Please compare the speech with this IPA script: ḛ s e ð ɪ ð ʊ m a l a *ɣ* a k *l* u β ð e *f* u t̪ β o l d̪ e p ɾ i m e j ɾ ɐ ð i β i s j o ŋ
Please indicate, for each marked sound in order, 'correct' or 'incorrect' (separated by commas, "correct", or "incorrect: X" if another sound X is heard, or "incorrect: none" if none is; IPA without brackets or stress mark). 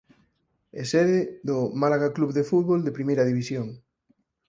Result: correct, correct, correct